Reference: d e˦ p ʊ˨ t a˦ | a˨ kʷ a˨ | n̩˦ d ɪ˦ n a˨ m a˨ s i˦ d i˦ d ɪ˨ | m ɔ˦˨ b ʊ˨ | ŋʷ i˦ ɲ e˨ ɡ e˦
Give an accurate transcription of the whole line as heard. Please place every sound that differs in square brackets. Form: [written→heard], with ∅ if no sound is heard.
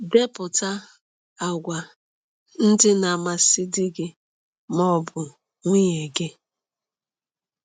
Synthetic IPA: d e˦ p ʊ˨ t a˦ | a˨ [kʷ→ɡʷ] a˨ | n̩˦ d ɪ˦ n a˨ m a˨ s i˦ d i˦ [d→ɡ] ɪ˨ | m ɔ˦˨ b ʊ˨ | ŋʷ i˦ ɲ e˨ ɡ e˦